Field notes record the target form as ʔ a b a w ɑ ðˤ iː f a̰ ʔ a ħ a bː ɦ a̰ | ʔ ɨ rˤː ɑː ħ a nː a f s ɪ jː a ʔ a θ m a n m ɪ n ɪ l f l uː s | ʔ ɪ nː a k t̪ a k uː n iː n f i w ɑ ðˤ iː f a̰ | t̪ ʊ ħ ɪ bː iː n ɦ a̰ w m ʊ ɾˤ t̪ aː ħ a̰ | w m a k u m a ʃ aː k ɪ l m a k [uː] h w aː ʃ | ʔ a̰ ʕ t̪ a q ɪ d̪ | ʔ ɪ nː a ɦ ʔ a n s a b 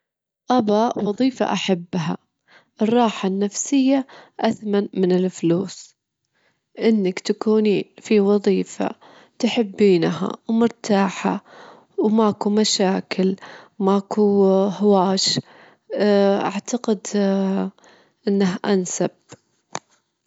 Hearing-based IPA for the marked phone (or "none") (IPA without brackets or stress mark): u